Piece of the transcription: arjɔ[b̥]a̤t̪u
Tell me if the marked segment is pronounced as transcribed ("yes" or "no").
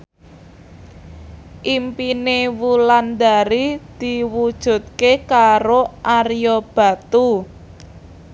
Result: yes